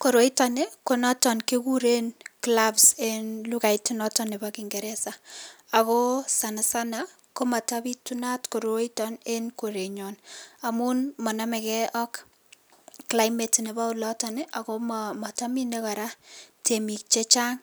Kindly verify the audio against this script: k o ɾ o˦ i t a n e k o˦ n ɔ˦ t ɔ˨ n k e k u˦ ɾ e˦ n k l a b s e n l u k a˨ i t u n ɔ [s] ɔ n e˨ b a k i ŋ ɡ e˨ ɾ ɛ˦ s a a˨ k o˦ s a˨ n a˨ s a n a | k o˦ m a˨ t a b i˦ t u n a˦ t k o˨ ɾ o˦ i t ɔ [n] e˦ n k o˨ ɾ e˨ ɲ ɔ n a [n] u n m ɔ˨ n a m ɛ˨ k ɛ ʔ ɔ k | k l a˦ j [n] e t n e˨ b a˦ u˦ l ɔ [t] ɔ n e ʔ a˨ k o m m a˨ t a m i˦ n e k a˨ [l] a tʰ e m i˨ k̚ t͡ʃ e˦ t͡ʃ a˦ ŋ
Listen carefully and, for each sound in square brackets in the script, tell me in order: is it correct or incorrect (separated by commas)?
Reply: incorrect, correct, incorrect, incorrect, correct, incorrect